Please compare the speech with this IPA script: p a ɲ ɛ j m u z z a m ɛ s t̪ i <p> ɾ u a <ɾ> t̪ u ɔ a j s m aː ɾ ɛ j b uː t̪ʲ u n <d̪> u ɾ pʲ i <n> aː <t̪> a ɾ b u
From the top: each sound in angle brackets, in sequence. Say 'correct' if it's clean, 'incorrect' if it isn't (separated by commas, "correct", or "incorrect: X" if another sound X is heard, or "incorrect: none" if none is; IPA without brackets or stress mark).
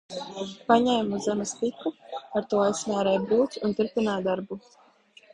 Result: incorrect: k, correct, incorrect: t̪, correct, incorrect: d̪